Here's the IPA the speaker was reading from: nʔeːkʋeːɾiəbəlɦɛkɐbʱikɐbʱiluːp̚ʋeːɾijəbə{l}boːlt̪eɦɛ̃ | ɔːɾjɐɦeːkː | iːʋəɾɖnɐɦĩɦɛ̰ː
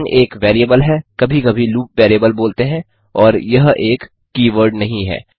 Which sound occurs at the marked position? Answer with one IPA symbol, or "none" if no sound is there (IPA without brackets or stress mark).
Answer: l